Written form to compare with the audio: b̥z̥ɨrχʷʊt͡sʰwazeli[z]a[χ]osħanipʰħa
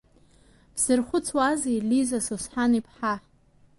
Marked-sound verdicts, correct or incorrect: correct, incorrect

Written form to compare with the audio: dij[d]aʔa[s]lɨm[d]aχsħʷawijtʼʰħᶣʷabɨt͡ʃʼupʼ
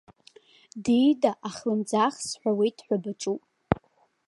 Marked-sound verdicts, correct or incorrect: correct, incorrect, incorrect

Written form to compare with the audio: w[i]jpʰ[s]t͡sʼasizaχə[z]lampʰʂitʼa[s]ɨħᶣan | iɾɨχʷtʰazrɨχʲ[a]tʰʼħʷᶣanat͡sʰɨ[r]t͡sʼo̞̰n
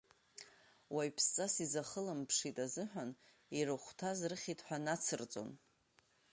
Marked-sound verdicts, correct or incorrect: incorrect, correct, incorrect, incorrect, incorrect, correct

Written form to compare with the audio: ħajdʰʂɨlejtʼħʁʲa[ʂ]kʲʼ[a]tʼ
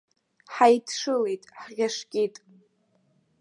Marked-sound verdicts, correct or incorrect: correct, incorrect

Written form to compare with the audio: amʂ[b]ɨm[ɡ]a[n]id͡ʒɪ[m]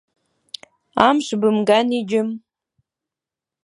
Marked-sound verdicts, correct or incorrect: correct, correct, correct, correct

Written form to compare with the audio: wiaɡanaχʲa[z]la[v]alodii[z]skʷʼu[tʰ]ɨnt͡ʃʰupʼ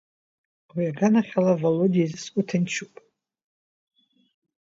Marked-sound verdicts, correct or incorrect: incorrect, correct, correct, correct

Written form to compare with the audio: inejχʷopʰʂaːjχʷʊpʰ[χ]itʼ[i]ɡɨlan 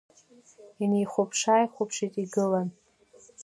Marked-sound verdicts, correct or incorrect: incorrect, correct

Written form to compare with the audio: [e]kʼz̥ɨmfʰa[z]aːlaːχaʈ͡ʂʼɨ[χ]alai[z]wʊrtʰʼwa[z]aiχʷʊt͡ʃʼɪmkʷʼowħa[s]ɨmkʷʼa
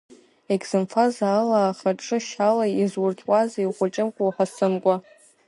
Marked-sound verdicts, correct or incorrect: correct, correct, incorrect, correct, correct, correct

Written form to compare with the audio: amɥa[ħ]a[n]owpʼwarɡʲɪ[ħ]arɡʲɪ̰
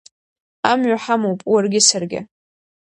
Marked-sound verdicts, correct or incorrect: correct, incorrect, incorrect

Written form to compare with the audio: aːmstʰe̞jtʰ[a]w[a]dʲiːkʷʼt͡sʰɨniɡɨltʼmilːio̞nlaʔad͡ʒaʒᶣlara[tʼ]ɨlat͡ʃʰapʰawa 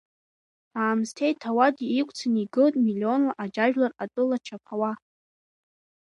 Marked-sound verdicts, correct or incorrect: correct, correct, correct

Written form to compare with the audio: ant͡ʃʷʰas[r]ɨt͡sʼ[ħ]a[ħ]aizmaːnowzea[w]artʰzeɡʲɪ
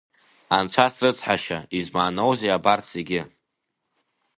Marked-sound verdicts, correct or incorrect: correct, correct, incorrect, incorrect

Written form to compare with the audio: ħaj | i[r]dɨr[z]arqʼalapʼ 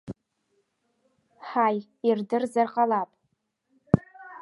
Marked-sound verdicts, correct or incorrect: correct, correct

